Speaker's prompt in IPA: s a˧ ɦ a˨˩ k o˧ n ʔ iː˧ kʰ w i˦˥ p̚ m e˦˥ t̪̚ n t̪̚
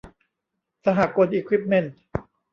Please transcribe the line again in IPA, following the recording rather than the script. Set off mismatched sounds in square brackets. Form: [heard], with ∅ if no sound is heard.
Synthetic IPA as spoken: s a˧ ɦ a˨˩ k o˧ n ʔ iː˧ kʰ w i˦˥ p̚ m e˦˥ [∅] n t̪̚